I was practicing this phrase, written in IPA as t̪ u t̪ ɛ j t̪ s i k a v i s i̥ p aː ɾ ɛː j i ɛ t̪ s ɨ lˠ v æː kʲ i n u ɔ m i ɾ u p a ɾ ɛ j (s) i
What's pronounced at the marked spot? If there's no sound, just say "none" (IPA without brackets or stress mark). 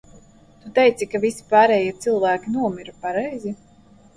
z